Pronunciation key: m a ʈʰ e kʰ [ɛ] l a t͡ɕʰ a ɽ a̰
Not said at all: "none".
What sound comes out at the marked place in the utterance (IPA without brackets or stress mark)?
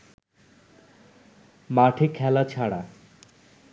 ɛ